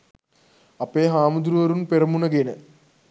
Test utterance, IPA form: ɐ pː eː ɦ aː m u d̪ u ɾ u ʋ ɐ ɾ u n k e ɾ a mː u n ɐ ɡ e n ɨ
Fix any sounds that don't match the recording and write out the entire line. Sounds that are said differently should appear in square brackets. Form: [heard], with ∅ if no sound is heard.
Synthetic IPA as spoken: ɐ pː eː ɦ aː m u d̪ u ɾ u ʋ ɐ ɾ u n [p] e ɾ [ɐ] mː u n ɐ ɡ e n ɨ